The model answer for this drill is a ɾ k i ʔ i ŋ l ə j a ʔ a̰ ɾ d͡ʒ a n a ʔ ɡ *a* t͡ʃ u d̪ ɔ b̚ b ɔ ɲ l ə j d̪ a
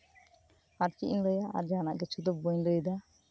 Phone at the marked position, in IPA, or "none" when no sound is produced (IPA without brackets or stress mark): ɛ